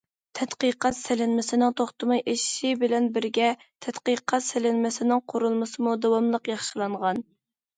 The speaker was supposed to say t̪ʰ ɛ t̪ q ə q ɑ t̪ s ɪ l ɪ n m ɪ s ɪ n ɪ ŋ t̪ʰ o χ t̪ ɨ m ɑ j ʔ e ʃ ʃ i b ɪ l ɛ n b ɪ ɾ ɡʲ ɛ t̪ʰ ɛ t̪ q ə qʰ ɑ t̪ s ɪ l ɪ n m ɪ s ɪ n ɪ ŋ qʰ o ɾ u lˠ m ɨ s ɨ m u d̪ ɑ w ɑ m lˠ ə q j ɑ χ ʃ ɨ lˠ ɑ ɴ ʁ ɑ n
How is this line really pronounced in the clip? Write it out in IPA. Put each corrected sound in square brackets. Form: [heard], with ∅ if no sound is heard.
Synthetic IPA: t̪ʰ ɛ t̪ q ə q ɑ t̪ s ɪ l ɪ n m ɪ s ɪ n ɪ ŋ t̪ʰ o χ t̪ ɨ m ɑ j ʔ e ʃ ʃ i b ɪ l ɛ n b ɪ ɾ ɡʲ ɛ t̪ʰ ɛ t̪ q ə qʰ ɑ t̪ s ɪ l ɪ n m ɪ s ɪ n ɪ ŋ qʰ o ɾ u lˠ m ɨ s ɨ m u d̪ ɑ w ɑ m lˠ ə q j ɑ χ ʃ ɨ lˠ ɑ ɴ ʁ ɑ n